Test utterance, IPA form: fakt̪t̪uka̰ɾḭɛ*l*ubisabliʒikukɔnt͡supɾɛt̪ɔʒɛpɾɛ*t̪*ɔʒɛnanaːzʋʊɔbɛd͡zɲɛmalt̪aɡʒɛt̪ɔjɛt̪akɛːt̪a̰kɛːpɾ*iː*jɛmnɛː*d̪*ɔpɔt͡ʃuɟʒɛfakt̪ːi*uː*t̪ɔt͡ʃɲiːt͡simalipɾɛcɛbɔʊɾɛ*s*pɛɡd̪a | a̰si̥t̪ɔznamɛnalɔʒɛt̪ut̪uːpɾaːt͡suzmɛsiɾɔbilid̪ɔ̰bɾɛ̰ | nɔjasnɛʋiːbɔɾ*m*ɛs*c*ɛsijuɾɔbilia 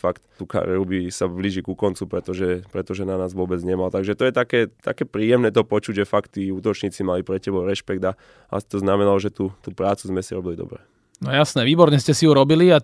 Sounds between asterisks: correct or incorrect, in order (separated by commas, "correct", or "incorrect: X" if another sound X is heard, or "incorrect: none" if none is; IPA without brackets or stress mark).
incorrect: ɾ, correct, correct, incorrect: t̪, correct, incorrect: ʃ, incorrect: ɲ, correct